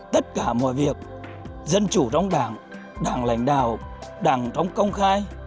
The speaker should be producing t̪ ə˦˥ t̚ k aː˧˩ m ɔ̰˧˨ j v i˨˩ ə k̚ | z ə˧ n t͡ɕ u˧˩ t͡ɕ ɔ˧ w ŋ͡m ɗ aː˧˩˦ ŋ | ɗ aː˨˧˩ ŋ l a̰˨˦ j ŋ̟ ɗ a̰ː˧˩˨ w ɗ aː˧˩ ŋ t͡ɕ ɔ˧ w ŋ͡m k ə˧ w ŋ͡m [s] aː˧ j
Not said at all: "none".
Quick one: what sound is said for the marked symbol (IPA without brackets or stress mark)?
x